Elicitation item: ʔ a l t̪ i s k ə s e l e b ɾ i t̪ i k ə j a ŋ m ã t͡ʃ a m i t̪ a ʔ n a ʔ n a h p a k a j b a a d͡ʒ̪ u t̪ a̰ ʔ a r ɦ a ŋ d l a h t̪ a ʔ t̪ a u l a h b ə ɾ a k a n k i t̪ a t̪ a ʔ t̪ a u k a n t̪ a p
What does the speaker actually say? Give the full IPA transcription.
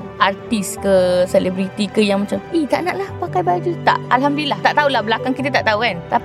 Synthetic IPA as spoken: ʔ a r t̪ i s k ə s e l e b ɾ i t̪ i k ə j a ŋ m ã t͡ʃ a m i t̪ a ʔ n a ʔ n a h p a k a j b a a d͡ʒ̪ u t̪ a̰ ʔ a l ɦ a m d l a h t̪ a ʔ t̪ a u l a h b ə l a k a ŋ k i t̪ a t̪ a ʔ t̪ a u k a n t̪ a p